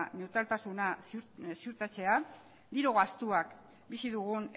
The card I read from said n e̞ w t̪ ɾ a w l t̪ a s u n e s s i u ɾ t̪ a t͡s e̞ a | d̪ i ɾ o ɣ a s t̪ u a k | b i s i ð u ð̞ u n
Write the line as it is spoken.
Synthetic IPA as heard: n e̞ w t̪ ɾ a l t̪ a s u n a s s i u ɾ t̪ a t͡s e̞ a | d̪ i ɾ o ɣ a s t̪ u a k | b i s i ð u ɣ̞ u n